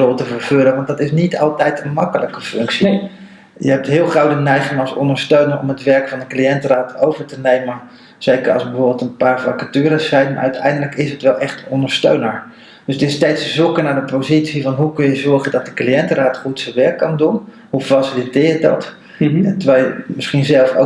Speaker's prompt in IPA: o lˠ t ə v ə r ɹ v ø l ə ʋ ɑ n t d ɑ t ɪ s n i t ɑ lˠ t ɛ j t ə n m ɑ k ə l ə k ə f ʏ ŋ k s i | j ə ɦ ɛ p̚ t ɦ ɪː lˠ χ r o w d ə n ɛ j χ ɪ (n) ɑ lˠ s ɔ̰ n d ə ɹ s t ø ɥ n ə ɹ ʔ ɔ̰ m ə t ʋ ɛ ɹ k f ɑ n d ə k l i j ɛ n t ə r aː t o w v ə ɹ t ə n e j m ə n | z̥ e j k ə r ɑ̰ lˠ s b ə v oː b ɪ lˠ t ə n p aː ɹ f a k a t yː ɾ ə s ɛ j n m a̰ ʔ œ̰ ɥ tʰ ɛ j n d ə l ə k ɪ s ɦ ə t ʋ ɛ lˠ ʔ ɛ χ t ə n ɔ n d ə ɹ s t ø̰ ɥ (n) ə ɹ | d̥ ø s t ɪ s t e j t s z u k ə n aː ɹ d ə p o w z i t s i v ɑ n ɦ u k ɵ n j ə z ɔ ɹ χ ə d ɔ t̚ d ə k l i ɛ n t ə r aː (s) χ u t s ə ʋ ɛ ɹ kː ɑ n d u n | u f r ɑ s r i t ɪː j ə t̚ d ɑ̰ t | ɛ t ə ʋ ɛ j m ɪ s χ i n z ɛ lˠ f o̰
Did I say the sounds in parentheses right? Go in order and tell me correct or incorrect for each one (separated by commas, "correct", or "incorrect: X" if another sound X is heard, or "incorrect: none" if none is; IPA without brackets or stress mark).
incorrect: ŋ, correct, incorrect: t